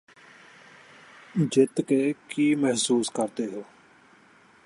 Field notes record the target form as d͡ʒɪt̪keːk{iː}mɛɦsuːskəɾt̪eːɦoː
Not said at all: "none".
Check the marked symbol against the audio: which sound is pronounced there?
iː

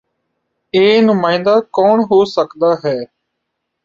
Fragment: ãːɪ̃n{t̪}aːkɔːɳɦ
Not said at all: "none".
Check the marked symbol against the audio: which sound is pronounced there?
d̪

